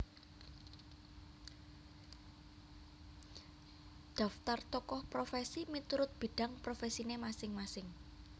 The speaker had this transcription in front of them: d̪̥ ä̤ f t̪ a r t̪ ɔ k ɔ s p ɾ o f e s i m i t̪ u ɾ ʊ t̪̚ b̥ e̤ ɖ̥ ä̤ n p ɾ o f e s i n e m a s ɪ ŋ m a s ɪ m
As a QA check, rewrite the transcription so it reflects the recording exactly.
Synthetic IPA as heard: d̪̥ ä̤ f t̪ a r t̪ ɔ k ɔ h p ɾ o f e s i m i t̪ u ɾ ʊ t̪̚ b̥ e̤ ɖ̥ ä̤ ŋ p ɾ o f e s i n e m a s ɪ ŋ m a s ɪ ŋ